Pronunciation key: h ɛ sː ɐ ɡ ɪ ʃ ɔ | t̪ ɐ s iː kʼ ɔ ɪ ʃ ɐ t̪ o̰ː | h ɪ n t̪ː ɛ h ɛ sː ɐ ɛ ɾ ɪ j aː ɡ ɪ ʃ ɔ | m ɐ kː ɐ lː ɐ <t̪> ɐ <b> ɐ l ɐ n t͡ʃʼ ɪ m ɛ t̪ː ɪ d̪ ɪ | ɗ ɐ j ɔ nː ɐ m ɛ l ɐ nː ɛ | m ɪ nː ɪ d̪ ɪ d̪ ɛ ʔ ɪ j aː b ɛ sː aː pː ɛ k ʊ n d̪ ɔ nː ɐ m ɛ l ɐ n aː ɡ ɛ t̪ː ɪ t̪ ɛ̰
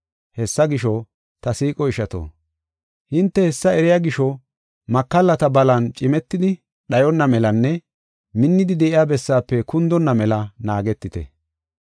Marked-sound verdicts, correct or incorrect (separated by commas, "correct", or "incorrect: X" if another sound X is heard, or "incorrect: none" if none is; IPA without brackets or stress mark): correct, correct